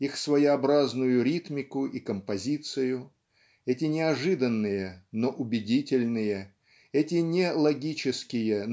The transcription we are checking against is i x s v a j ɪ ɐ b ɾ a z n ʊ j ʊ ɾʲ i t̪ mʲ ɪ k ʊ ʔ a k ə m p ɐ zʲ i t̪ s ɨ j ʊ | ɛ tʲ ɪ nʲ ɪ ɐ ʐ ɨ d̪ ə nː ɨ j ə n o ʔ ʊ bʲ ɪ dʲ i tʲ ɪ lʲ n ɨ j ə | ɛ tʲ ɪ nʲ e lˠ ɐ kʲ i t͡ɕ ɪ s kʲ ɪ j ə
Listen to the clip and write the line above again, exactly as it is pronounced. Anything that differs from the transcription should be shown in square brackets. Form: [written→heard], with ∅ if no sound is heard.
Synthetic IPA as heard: i x s v [a→ə] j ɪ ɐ b ɾ a z n ʊ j ʊ ɾʲ i t̪ mʲ ɪ k ʊ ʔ [a→i] k ə m p ɐ zʲ i t̪ s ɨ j ʊ | ɛ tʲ ɪ nʲ ɪ ɐ ʐ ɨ d̪ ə nː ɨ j ə n o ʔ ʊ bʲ ɪ dʲ i tʲ ɪ lʲ n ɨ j ə | ɛ tʲ ɪ nʲ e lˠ ɐ [kʲ→ɡʲ] i t͡ɕ ɪ s kʲ ɪ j ə

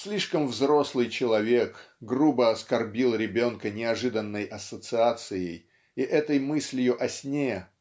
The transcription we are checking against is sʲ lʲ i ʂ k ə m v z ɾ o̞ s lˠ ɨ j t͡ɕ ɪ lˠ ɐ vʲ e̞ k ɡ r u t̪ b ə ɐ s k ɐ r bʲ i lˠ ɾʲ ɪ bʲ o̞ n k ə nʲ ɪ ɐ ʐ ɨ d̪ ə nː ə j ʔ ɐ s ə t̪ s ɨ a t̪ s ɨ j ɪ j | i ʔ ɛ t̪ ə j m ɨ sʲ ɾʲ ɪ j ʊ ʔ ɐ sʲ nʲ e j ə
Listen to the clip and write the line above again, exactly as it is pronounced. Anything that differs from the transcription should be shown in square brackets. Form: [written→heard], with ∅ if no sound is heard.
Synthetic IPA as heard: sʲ lʲ i ʂ k ə m v z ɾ o̞ s lˠ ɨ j t͡ɕ ɪ lˠ ɐ vʲ e̞ k ɡ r u [t̪→∅] b ə ɐ s k ɐ r bʲ i lˠ ɾʲ ɪ bʲ o̞ n k ə nʲ ɪ ɐ ʐ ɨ d̪ ə nː ə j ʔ ɐ s ə t̪ s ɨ a t̪ s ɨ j ɪ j | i ʔ ɛ t̪ ə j m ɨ sʲ [ɾʲ→lʲ] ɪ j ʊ ʔ ɐ sʲ nʲ e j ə

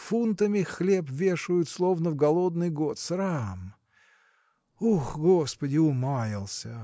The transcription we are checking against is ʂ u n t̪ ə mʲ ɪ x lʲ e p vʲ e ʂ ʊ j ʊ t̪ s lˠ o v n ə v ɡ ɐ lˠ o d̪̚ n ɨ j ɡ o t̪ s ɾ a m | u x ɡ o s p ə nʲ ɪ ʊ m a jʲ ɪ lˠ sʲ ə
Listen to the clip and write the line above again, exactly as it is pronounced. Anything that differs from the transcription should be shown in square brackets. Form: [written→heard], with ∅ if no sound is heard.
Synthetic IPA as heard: [ʂ→f] u n t̪ ə mʲ ɪ x lʲ e p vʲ e ʂ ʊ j ʊ t̪ s lˠ o v n ə v ɡ ɐ lˠ o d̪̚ n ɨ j ɡ o t̪ s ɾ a m | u x ɡ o s p ə [nʲ→dʲ] ɪ ʊ m a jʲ ɪ lˠ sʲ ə

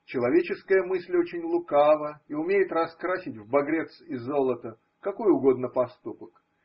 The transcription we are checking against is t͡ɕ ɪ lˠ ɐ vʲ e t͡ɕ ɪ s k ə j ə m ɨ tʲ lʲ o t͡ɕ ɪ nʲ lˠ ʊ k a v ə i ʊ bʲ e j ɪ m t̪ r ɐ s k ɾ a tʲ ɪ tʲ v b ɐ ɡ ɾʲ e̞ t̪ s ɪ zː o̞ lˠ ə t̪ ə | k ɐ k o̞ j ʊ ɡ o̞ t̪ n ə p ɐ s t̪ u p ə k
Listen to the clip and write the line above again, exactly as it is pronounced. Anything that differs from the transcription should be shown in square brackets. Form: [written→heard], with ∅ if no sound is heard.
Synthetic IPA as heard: t͡ɕ ɪ lˠ ɐ vʲ e t͡ɕ ɪ s k ə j ə m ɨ [tʲ→sʲ] lʲ o t͡ɕ ɪ nʲ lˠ ʊ k a v ə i ʊ [bʲ→mʲ] e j ɪ [m→∅] t̪ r ɐ s k ɾ a [tʲ→sʲ] ɪ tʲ v b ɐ ɡ ɾʲ e̞ t̪ s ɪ zː o̞ lˠ ə t̪ ə | k ɐ k o̞ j ʊ ɡ o̞ [t̪→d̪] n ə p ɐ s t̪ u p ə k

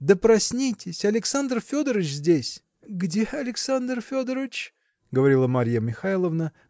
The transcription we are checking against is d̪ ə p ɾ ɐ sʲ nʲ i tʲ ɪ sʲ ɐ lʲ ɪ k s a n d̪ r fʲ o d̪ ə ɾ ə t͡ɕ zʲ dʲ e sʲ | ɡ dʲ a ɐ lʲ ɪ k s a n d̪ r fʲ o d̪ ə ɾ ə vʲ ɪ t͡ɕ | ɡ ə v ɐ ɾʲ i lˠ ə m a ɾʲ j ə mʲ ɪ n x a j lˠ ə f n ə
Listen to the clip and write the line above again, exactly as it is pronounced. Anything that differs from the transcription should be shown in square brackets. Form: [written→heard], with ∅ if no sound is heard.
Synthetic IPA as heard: d̪ ə p ɾ ɐ sʲ nʲ i tʲ ɪ sʲ ɐ lʲ ɪ k s a n d̪ r fʲ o d̪ ə ɾ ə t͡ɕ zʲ dʲ e sʲ | ɡ dʲ [a→e] ɐ lʲ ɪ k s a n d̪ r fʲ o d̪ ə ɾ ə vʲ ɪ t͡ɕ | ɡ ə v ɐ ɾʲ i lˠ ə m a ɾʲ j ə mʲ ɪ [n→∅] x a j lˠ ə [f→v] n ə

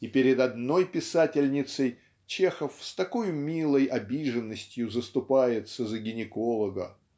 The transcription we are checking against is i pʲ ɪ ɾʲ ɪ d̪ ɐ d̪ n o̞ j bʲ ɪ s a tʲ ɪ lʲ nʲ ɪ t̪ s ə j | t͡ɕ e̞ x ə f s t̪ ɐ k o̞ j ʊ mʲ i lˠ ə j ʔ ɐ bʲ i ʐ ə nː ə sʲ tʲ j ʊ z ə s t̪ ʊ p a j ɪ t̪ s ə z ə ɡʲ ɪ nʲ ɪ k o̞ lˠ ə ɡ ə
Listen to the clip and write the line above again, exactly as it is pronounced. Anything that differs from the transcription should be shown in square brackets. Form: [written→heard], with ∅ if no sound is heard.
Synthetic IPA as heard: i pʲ ɪ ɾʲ ɪ d̪ ɐ d̪ n o̞ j [bʲ→pʲ] ɪ s a tʲ ɪ lʲ nʲ ɪ t̪ s ə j | t͡ɕ e̞ x ə f s t̪ ɐ k o̞ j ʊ mʲ i lˠ ə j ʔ ɐ bʲ i ʐ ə nː ə sʲ tʲ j ʊ z ə s t̪ ʊ p a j ɪ t̪ s ə z ə ɡʲ ɪ nʲ ɪ k o̞ lˠ ə ɡ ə

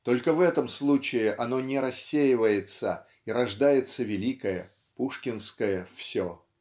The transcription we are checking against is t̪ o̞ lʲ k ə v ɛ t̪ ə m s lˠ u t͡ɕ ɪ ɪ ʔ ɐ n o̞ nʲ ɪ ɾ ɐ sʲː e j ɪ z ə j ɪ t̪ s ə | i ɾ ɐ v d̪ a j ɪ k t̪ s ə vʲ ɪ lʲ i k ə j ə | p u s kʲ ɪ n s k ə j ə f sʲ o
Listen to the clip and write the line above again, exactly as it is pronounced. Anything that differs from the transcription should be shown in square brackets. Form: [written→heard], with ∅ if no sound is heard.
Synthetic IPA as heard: t̪ o̞ lʲ k ə v ɛ t̪ ə m s lˠ u t͡ɕ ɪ ɪ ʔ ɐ n o̞ nʲ ɪ ɾ ɐ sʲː e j ɪ [z→v] ə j ɪ t̪ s ə | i ɾ ɐ [v→ʐ] d̪ a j ɪ [k→∅] t̪ s ə vʲ ɪ lʲ i k ə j ə | p u [s→ʂ] kʲ ɪ n s k ə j ə f sʲ o

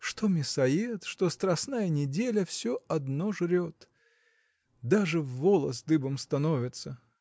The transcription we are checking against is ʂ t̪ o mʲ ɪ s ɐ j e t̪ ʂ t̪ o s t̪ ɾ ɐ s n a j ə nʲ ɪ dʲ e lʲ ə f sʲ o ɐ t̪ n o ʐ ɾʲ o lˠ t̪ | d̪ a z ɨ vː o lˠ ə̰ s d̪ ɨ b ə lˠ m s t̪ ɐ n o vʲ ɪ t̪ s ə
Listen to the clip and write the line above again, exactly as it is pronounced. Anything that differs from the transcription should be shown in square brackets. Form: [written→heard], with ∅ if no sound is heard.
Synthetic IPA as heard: ʂ t̪ o mʲ ɪ s ɐ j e t̪ ʂ t̪ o s t̪ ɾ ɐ s n a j ə nʲ ɪ dʲ e lʲ ə f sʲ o ɐ [t̪→d̪] n o ʐ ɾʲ o [lˠ→∅] t̪ | d̪ a [z→ʐ] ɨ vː o lˠ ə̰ s d̪ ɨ b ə [lˠ→∅] m s t̪ ɐ n o vʲ ɪ t̪ s ə

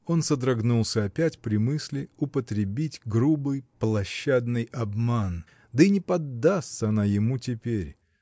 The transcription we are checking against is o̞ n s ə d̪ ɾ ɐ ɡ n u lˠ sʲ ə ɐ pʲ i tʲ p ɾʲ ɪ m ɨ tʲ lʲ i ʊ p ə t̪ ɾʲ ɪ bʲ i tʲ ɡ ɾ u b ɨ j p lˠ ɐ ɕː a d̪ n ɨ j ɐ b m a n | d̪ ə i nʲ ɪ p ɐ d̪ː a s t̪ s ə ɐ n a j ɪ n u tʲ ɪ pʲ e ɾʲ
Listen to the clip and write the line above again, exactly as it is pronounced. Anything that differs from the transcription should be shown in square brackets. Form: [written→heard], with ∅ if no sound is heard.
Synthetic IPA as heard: o̞ n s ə d̪ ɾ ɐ ɡ n u lˠ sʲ ə ɐ pʲ [i→æ] tʲ p ɾʲ ɪ m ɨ [tʲ→sʲ] lʲ [i→ɪ] ʊ p ə t̪ ɾʲ ɪ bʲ i tʲ ɡ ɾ u b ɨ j p lˠ ɐ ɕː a d̪ n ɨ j ɐ b m a n | d̪ ə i nʲ ɪ p ɐ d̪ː a s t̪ s ə ɐ n a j ɪ [n→m] u tʲ ɪ pʲ e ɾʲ

